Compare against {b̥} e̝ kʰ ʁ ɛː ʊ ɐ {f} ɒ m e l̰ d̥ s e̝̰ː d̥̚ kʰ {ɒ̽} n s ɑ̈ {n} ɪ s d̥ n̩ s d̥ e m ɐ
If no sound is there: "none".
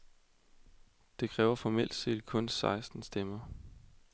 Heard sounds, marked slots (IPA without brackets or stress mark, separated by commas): d̥, f, ɔ̽, none